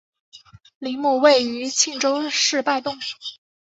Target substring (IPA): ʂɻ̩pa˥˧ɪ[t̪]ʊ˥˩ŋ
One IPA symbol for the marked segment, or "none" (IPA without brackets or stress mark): t̪